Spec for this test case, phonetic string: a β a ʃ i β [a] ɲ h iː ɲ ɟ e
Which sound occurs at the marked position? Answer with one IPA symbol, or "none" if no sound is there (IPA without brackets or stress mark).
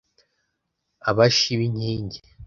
i